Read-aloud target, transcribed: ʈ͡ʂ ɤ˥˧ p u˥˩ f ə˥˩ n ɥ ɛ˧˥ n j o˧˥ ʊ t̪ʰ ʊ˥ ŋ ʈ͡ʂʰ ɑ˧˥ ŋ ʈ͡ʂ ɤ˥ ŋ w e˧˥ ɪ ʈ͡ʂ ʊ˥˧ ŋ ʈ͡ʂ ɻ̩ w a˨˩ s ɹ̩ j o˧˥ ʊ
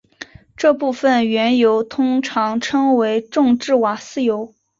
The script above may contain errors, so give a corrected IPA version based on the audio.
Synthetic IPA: ʈ͡ʂ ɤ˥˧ p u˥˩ f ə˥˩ n ɥ ɛ˧˥ n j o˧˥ ʊ t̪ʰ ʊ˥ ŋ ʈ͡ʂʰ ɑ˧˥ ŋ ʈ͡ʂʰ ɤ˥ ŋ w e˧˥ ɪ ʈ͡ʂ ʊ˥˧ ŋ ʈ͡ʂ ɻ̩ w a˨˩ s ɹ̩ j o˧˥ ʊ